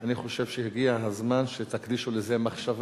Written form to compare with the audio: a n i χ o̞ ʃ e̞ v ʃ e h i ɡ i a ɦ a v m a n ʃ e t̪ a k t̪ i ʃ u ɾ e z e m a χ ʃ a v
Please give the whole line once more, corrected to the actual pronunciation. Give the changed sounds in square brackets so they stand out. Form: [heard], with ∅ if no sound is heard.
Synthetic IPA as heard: a n i χ o̞ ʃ e̞ v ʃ e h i ɡ i a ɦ a [z] m a n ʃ e t̪ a k [d̪] i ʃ u [l] e z e m a χ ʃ a v